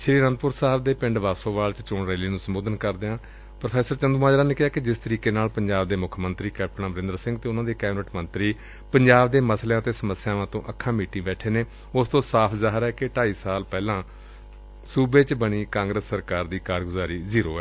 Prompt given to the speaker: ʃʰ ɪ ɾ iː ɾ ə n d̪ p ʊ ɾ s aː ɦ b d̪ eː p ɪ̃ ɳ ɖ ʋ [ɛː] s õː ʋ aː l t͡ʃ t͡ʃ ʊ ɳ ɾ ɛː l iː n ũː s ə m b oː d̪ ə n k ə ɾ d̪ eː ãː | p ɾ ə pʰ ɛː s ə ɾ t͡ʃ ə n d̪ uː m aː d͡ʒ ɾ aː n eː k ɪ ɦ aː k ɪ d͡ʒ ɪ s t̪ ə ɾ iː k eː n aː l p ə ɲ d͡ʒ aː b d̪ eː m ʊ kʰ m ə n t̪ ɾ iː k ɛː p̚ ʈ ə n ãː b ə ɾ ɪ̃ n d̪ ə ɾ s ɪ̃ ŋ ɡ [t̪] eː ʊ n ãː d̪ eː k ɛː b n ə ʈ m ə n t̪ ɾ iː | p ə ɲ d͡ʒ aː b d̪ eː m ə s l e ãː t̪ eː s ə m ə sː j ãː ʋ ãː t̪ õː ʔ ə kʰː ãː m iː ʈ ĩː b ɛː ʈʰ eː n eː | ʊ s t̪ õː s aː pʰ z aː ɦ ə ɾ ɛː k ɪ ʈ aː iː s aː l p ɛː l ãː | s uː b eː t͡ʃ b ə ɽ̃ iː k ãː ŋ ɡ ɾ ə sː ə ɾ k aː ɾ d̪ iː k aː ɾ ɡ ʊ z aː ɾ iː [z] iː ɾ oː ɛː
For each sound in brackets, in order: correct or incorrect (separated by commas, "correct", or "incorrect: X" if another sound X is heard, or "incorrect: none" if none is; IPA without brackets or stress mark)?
incorrect: aː, correct, correct